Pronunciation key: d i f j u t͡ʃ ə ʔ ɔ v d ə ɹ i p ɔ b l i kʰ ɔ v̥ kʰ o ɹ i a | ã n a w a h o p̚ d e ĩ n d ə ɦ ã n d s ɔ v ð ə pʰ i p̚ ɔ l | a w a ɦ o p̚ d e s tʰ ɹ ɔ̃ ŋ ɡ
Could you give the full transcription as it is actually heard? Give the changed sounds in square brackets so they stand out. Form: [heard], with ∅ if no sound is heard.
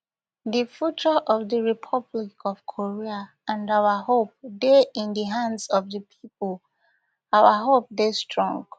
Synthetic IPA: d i f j u t͡ʃ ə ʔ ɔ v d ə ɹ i [pʰ] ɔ b l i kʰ ɔ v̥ kʰ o ɹ i a | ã n a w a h o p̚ d e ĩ n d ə ɦ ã n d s ɔ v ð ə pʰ i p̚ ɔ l | a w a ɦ o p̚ d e s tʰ ɹ ɔ̃ ŋ ɡ